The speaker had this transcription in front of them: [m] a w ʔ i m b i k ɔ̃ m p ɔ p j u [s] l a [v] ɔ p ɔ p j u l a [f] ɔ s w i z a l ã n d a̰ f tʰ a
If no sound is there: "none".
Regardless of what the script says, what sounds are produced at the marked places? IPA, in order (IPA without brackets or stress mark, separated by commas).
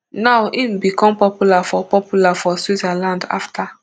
n, none, f, f